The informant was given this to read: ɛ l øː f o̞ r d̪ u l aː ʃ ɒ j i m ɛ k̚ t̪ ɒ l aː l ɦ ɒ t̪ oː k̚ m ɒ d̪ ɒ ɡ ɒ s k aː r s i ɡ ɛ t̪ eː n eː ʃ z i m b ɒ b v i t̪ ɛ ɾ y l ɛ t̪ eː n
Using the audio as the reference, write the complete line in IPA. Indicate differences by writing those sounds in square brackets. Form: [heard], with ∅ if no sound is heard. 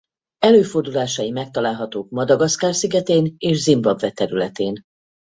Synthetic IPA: ɛ l øː f o̞ r d̪ u l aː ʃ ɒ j i m ɛ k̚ t̪ ɒ l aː l ɦ ɒ t̪ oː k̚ m ɒ d̪ ɒ ɡ ɒ s k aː r s i ɡ ɛ t̪ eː n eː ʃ z i m b ɒ b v [ɛ] t̪ ɛ ɾ y l ɛ t̪ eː n